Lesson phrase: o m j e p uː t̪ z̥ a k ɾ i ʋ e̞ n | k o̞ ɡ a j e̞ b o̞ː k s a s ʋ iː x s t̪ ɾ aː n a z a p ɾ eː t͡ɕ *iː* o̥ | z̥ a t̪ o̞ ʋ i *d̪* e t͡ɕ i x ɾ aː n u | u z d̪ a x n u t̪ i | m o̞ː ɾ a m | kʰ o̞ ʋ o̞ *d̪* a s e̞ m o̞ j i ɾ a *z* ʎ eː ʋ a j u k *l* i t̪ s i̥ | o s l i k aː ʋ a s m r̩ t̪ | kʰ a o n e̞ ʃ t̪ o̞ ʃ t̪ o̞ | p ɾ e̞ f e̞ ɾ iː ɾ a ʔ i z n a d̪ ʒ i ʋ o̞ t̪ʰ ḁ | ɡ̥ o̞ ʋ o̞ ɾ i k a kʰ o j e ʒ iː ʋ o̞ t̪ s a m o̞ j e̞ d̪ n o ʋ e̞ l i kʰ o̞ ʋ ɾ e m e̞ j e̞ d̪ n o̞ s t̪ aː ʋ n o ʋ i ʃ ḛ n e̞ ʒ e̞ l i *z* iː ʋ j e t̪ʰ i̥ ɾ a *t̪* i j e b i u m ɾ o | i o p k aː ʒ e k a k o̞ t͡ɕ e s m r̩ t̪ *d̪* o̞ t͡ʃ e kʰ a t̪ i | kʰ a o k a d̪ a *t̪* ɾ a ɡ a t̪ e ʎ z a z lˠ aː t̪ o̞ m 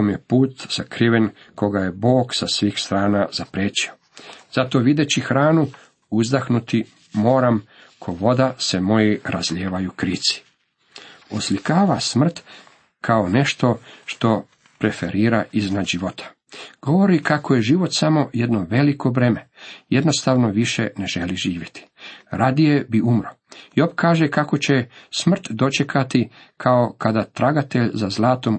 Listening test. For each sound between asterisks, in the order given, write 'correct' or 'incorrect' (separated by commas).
incorrect, correct, correct, correct, incorrect, incorrect, incorrect, correct, correct